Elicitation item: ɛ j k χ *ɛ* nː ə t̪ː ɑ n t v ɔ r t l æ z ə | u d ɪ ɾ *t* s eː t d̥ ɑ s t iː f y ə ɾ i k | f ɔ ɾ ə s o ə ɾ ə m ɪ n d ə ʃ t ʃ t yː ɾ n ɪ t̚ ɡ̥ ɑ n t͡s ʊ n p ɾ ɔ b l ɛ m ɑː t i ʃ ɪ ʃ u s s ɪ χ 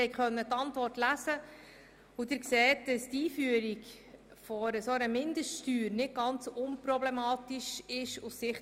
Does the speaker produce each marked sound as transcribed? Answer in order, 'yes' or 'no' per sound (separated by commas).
no, no